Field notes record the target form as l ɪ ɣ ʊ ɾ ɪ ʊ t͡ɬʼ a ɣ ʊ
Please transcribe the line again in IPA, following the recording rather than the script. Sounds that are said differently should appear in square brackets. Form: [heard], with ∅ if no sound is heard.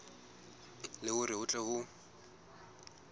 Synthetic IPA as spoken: l ɪ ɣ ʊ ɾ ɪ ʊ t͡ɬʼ [ɛ] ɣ ʊ